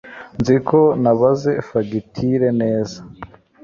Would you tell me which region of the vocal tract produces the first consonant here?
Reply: tongue tip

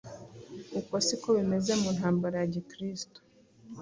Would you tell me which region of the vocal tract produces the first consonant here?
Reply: velum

